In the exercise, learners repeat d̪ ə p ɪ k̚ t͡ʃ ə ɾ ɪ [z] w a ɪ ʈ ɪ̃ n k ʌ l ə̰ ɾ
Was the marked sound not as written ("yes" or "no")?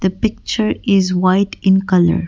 no